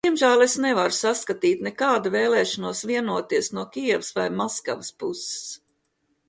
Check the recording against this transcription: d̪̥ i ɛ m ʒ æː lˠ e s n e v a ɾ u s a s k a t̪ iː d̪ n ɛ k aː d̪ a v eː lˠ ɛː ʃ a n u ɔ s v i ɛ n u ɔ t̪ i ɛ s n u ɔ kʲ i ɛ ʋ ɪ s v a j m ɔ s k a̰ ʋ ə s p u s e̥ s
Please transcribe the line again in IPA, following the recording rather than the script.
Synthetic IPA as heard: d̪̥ i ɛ m ʒ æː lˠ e s n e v a ɾ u s a s k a t̪ iː t̪ n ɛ k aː d̪ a v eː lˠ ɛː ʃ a n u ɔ s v i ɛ n u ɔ t̪ i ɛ s n u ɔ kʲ i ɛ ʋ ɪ s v a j m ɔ s k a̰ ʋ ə s p u s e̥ s

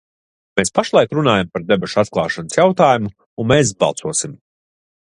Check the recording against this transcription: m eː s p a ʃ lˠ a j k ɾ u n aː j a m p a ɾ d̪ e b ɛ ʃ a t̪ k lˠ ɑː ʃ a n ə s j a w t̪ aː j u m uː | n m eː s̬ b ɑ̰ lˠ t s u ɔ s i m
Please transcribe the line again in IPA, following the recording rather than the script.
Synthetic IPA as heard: m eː s p a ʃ lˠ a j k ɾ u n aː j a m p a ɾ d̪ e b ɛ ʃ a t̪ k lˠ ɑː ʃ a n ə s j a w t̪ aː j u m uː | n m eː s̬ b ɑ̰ lˠ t s u ɔ s i m

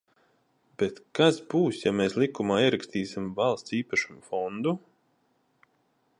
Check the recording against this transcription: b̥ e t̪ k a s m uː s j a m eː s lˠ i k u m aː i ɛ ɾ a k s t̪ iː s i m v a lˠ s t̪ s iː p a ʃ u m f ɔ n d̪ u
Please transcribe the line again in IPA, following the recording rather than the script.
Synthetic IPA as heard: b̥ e t̪ k a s b uː s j a m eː s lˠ i k u m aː i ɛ ɾ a k s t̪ iː s i m v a lˠ s t̪ s iː p a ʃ u m f ɔ n d̪ u

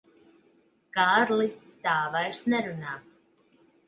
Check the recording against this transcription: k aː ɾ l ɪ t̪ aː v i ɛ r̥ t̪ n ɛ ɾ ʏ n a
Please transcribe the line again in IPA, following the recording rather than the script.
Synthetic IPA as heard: k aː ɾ l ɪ t̪ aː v a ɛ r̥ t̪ n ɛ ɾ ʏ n a

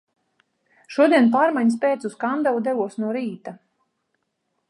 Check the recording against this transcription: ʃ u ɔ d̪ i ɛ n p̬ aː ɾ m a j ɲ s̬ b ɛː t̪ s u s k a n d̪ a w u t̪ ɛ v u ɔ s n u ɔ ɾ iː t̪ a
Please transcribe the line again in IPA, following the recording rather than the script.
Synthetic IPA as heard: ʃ u ɔ d̪ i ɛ n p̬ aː ɾ m a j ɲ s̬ p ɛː t̪ s u s k a n d̪ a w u d̪ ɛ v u ɔ s n u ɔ ɾ iː t̪ a

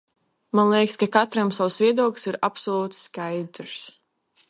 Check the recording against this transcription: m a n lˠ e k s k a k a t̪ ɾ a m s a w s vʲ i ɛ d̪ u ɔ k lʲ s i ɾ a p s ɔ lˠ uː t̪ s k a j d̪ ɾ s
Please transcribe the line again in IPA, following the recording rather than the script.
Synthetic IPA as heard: m a n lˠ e k s k a k a t̪ ɾ a m s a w s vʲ i ɛ d̪ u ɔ k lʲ s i ɾ a p s ɔ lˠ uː t̪ s k a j d̪ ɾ s

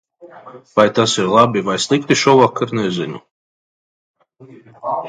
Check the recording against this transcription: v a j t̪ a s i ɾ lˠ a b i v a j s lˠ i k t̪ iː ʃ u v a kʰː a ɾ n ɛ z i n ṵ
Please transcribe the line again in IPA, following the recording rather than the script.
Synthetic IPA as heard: v a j t̪ a s i ɾ lˠ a b i v a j s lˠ i k t̪ i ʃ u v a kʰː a ɾ n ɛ z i n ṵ

